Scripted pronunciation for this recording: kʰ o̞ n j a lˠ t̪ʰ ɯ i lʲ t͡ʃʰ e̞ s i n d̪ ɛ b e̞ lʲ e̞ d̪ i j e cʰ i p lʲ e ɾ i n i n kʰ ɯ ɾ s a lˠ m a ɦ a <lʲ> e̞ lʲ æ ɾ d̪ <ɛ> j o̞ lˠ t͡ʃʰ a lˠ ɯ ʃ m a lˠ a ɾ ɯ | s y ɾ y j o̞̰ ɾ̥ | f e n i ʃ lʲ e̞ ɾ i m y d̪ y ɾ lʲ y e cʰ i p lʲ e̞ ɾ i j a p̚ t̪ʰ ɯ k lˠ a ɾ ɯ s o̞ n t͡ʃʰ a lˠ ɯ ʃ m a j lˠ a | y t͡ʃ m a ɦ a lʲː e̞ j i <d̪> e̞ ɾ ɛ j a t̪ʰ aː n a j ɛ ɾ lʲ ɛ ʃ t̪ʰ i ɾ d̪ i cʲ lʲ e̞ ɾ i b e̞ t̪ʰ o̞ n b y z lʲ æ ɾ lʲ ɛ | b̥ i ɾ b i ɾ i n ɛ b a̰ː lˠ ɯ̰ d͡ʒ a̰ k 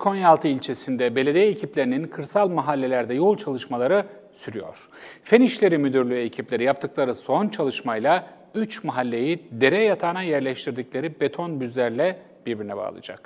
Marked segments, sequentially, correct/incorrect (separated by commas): incorrect, correct, correct